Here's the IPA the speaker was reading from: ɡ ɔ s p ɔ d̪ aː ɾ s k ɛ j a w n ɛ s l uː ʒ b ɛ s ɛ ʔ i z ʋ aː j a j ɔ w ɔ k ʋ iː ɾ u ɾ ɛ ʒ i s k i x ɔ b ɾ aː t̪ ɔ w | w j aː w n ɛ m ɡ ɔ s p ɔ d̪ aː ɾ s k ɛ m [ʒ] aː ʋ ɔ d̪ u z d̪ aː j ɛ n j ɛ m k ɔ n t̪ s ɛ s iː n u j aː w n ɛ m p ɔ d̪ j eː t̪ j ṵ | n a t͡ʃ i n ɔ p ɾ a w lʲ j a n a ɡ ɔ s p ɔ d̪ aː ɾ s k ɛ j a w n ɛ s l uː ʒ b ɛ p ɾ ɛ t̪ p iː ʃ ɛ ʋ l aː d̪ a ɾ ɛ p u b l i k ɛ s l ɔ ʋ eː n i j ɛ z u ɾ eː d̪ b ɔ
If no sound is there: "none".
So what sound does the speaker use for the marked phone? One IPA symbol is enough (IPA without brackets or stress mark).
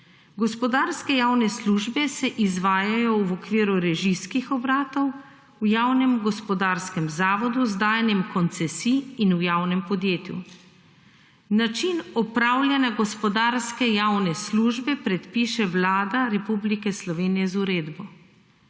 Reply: z